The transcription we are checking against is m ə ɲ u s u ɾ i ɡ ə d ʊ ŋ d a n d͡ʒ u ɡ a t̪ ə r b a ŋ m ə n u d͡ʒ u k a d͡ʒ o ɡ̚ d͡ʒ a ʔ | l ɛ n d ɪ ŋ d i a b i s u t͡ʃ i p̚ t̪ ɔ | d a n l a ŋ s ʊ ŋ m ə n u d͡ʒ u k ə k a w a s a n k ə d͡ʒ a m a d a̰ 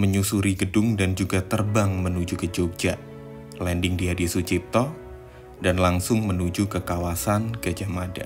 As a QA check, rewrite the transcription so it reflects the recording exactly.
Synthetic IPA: m ə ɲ u s u ɾ i ɡ ə d ʊ ŋ d a n d͡ʒ u ɡ a t̪ ə r b a ŋ m ə n u d͡ʒ u k ə d͡ʒ o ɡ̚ d͡ʒ a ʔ | l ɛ n d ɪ ŋ d i a d i s u t͡ʃ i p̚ t̪ ɔ | d a n l a ŋ s ʊ ŋ m ə n u d͡ʒ u k ə k a w a s a n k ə d͡ʒ a m a d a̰